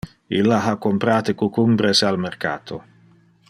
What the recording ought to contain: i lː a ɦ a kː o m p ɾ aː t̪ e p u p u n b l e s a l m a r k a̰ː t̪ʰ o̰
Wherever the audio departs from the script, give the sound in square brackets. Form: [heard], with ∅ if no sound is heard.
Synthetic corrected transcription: i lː a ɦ a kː o m p ɾ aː t̪ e [k] u [k] u [m] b [ɾ] e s a l m [e] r k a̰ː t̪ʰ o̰